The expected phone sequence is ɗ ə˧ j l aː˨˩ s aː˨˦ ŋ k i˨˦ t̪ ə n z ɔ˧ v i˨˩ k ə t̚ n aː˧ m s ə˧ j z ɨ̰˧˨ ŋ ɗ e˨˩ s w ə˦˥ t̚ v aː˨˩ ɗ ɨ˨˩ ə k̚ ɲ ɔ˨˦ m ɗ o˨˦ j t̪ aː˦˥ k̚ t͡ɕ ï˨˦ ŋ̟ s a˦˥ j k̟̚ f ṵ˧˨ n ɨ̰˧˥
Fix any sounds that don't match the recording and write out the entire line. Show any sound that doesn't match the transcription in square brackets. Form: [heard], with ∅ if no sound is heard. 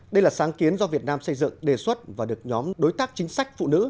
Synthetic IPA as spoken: ɗ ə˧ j l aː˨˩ s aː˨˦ ŋ k i˨˦ [∅] ə n z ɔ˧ v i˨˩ [∅] ə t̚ n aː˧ m s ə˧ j z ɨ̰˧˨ ŋ ɗ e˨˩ s w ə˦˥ t̚ v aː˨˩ ɗ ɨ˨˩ ə k̚ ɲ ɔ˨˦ m ɗ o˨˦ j t̪ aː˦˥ k̚ t͡ɕ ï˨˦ ŋ̟ s a˦˥ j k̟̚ f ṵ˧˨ n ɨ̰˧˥